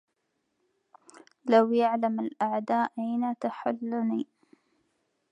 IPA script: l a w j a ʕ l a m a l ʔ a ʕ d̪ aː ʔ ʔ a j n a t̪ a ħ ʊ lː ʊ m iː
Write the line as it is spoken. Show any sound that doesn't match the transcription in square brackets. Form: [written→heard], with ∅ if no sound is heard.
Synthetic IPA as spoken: l a w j a ʕ l a m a l ʔ a ʕ d̪ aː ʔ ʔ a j n a t̪ a ħ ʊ lː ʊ [m→n] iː